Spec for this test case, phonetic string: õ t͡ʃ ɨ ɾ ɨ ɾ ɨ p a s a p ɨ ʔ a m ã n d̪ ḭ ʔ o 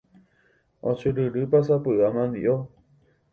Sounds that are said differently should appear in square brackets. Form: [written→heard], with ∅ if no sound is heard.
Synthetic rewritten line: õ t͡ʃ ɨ ɾ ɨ ɾ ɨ p a s a p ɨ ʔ a m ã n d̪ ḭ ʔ o